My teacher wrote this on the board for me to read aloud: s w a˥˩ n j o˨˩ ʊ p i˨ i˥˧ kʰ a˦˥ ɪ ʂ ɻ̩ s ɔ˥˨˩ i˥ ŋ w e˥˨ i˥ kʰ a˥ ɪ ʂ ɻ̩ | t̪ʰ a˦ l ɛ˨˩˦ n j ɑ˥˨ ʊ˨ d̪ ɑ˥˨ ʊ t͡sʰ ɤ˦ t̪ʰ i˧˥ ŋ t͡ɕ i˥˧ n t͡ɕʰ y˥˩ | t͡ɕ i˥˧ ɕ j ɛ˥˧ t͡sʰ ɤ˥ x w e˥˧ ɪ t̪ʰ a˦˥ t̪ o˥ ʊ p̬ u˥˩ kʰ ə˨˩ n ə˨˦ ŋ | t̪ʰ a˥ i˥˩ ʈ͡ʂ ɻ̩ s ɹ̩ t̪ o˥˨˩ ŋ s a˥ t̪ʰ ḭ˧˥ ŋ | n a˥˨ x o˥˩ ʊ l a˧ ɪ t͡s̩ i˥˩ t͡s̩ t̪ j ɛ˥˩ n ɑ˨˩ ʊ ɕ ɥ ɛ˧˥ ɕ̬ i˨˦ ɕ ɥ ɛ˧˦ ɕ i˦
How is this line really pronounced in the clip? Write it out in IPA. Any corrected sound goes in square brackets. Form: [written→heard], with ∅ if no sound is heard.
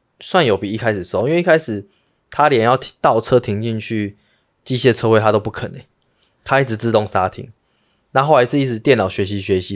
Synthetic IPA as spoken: s w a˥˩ n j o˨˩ ʊ p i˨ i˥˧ kʰ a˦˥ ɪ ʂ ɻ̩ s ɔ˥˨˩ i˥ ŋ w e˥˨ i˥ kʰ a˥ ɪ ʂ ɻ̩ | t̪ʰ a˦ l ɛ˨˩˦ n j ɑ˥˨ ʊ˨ [d̪→t̪] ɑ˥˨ ʊ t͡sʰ ɤ˦ t̪ʰ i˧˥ ŋ t͡ɕ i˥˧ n t͡ɕʰ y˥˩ | t͡ɕ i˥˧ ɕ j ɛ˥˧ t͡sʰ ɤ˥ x w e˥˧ ɪ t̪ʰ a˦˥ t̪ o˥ ʊ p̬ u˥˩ kʰ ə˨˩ n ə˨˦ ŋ | t̪ʰ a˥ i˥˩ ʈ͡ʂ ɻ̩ [s→t͡s] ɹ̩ t̪ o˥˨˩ ŋ s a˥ t̪ʰ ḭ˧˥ ŋ | n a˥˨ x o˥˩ ʊ l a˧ ɪ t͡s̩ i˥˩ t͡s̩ t̪ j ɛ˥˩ n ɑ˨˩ ʊ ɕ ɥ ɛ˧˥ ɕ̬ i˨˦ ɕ ɥ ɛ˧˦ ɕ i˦